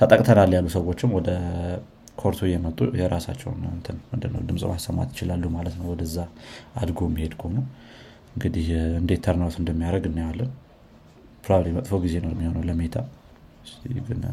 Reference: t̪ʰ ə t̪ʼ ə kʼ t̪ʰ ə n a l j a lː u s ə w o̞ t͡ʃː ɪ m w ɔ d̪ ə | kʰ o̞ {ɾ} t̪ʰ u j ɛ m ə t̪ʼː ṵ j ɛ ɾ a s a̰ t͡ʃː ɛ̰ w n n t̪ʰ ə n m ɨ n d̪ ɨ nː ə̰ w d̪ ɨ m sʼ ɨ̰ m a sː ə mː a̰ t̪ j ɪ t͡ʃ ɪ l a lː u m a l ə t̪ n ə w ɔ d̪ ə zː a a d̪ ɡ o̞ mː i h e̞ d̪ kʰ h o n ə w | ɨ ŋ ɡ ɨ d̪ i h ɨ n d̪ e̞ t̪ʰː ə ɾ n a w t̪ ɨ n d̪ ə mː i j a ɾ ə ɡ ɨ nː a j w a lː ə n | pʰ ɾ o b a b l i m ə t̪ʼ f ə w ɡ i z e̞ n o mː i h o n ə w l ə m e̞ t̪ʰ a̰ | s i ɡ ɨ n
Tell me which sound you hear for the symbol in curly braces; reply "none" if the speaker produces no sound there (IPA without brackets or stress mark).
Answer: ɾ